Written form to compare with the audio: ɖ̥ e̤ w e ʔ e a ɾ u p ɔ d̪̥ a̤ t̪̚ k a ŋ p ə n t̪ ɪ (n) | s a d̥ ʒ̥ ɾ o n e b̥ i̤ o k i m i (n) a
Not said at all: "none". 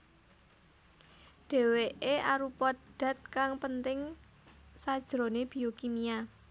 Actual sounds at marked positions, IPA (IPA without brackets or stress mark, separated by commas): ŋ, none